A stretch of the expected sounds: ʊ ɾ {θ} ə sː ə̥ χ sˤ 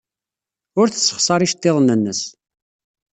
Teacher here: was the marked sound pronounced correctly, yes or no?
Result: yes